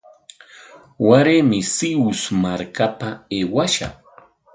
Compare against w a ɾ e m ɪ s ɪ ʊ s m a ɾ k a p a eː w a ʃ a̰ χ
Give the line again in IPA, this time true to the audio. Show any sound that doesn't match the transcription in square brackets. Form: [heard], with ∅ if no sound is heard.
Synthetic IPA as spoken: w a ɾ e m ɪ s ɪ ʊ s m a ɾ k a p a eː w a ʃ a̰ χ